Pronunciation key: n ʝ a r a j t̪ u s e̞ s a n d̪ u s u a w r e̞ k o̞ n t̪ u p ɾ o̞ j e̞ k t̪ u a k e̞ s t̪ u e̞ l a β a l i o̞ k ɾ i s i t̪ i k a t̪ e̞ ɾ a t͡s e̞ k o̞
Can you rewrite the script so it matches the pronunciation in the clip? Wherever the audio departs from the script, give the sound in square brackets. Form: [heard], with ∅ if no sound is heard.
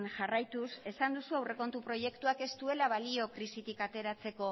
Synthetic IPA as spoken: n ʝ a r a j t̪ u s e̞ s a n d̪ u s u a w r e̞ k o̞ n t̪ u p ɾ o̞ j e̞ k t̪ u a k e̞ s t̪ u e̞ l a β a l i o̞ k ɾ i s i t̪ i k a t̪ e̞ ɾ a t͡s e̞ k o̞